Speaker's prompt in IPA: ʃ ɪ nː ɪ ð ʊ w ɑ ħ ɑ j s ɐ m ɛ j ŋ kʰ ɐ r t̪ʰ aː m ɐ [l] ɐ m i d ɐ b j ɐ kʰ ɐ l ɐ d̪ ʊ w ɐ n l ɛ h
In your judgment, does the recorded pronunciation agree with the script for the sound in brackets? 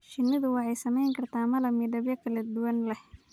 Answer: yes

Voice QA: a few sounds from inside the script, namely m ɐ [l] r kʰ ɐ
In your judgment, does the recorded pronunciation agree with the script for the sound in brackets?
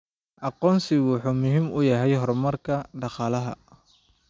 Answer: no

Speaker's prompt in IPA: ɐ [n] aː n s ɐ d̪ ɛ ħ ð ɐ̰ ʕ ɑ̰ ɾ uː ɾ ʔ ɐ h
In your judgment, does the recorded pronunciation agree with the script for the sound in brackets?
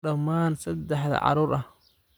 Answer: no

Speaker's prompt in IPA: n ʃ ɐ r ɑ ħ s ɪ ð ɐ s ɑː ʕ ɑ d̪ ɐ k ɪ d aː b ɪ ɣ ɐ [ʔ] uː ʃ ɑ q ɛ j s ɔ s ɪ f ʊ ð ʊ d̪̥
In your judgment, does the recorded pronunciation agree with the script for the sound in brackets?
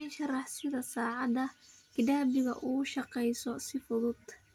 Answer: yes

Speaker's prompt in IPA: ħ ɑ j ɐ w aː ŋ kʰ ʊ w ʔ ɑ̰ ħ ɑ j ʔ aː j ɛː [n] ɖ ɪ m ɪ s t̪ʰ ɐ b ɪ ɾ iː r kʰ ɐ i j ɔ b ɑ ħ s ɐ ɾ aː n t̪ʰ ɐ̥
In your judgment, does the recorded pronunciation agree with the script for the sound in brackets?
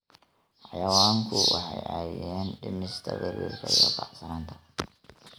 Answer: yes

